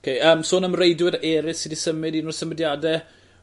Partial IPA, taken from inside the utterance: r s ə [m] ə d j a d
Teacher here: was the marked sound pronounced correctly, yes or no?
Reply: yes